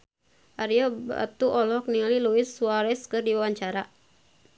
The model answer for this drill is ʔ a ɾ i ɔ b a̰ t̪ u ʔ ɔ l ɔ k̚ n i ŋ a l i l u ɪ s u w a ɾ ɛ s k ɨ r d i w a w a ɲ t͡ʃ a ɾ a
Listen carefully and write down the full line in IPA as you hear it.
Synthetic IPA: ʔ a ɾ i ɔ b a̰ t̪ u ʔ ɔ l ɔ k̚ n i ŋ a l i l u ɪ s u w a ɾ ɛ s k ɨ r d i w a w a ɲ t͡ʃ a ɾ a